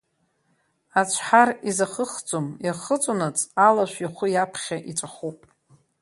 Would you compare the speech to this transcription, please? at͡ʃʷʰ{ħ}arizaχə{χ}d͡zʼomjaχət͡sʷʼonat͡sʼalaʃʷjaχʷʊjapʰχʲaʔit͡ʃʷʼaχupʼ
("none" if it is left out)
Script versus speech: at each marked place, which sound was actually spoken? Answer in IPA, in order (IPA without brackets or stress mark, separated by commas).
ħ, χ